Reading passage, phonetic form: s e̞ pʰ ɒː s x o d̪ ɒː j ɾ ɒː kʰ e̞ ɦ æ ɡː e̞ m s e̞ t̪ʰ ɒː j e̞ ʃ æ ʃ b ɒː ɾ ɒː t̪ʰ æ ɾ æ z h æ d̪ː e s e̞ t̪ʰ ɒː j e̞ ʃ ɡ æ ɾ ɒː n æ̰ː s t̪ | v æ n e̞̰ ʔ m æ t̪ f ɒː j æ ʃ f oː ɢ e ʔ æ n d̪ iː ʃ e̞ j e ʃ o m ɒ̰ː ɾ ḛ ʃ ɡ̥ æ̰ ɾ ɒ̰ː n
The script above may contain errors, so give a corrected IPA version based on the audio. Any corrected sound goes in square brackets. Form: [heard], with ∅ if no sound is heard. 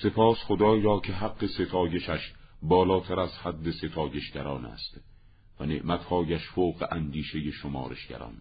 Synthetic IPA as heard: s e̞ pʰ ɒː s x o d̪ ɒː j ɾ ɒː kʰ e̞ ɦ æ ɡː e̞ [∅] s e̞ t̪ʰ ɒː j e̞ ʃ æ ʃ b ɒː [l] ɒː t̪ʰ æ ɾ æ z h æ d̪ː e s e̞ t̪ʰ ɒː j e̞ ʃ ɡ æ ɾ ɒː n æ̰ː s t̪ | v æ n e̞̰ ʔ m æ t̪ [h] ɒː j æ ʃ f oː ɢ e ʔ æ n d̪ iː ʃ e̞ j e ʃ o m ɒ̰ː ɾ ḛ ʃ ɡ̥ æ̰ ɾ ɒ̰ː n